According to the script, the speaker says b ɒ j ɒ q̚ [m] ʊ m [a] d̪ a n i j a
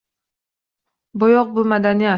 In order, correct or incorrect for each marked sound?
incorrect: b, correct

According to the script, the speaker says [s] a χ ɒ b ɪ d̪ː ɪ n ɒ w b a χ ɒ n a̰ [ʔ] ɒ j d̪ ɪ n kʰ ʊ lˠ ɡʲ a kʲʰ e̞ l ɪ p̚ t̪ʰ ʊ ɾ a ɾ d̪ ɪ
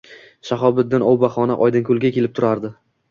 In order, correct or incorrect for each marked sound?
incorrect: ʃ, correct

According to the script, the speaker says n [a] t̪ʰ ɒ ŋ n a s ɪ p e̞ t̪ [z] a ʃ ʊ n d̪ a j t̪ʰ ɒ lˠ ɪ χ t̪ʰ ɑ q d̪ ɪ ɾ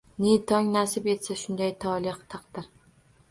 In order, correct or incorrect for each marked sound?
incorrect: e, incorrect: s

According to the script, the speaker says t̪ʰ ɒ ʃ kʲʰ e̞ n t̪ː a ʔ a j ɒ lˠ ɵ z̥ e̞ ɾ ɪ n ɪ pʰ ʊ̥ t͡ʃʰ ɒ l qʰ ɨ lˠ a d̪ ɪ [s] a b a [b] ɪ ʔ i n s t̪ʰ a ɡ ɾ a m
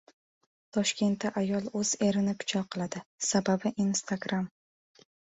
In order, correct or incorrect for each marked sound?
correct, correct

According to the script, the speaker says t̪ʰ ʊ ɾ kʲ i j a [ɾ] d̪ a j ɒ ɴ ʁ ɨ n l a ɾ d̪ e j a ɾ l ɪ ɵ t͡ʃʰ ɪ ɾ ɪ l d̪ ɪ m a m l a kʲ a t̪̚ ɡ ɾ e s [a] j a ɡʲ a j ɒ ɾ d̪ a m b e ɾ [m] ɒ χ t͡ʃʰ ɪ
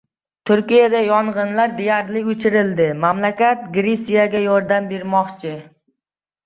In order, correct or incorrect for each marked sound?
incorrect: none, incorrect: i, correct

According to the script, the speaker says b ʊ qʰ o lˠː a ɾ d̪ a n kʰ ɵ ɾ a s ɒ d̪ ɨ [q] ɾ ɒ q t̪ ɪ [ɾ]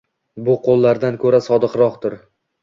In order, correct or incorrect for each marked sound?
correct, correct

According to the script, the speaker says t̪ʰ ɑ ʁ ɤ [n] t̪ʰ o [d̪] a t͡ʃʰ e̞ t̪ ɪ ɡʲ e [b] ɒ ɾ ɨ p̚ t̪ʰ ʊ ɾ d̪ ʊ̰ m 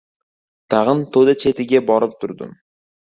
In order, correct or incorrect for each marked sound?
correct, correct, correct

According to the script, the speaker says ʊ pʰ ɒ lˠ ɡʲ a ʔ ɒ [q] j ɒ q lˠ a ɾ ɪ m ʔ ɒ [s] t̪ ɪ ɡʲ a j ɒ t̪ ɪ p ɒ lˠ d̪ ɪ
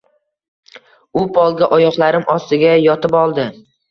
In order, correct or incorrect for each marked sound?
incorrect: none, correct

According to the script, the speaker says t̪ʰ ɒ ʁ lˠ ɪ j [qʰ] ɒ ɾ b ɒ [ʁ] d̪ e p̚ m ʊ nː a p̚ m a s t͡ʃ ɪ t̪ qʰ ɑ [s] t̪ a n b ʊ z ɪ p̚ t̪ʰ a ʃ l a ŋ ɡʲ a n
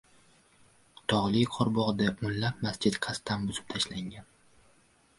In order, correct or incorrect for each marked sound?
correct, correct, correct

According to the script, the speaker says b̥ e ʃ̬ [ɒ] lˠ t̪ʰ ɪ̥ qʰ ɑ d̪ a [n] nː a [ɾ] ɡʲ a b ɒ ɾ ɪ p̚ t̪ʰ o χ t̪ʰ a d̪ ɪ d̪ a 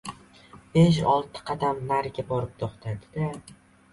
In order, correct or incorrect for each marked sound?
correct, incorrect: m, correct

